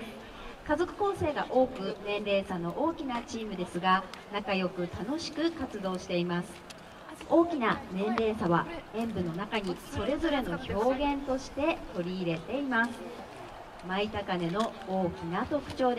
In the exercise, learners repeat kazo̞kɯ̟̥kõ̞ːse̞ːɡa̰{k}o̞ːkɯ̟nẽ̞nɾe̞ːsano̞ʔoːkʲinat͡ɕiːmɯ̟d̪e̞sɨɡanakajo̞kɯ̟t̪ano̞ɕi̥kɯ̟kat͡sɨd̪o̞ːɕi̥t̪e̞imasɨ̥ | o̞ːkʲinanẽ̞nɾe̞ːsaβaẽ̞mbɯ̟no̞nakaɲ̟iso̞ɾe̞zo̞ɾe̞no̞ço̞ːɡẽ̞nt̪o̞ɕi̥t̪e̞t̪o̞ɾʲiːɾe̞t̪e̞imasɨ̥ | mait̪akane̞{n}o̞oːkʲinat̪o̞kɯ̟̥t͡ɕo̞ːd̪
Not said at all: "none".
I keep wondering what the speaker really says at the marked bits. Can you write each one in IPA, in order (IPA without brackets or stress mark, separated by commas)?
ʔ, n